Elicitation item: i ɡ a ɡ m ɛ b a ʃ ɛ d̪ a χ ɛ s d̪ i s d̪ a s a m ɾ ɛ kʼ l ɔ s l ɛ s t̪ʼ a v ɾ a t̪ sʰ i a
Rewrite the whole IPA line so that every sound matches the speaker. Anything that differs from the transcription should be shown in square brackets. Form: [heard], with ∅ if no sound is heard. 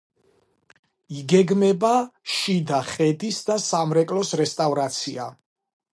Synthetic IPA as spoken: i ɡ [ɛ] ɡ m ɛ b a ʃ [i] d̪ a χ ɛ [∅] d̪ i s d̪ a s a m ɾ ɛ kʼ l ɔ s [ɾ] ɛ s t̪ʼ a v ɾ a t̪ sʰ i a